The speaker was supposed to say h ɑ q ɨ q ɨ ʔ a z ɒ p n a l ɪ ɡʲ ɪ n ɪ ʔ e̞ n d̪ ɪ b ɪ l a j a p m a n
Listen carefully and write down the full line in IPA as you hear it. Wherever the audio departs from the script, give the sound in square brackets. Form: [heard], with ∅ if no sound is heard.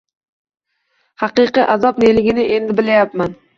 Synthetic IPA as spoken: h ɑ q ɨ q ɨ ʔ a z ɒ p n [e] l ɪ ɡʲ ɪ n ɪ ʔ e̞ n d̪ ɪ b ɪ l a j a p m a n